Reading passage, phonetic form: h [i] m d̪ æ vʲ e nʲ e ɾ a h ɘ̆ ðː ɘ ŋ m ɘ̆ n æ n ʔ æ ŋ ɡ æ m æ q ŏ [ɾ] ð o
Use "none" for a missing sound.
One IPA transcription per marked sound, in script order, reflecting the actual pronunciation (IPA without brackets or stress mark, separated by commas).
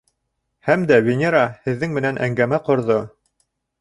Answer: æ, ɾ